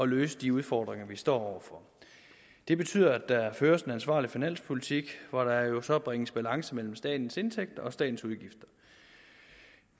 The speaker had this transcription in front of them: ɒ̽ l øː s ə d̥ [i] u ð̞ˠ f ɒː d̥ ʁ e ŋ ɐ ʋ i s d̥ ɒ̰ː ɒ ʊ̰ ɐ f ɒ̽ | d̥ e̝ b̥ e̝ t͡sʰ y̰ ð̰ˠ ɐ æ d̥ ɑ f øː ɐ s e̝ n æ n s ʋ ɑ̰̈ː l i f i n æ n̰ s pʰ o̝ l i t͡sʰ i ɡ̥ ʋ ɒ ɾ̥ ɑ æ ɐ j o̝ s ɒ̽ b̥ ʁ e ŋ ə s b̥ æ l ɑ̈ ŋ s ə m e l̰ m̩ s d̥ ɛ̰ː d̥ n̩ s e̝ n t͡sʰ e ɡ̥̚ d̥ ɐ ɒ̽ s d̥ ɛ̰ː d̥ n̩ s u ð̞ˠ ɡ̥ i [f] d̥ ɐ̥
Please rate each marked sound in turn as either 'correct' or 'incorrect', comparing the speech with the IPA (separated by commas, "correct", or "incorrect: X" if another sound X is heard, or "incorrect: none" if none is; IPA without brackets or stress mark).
correct, correct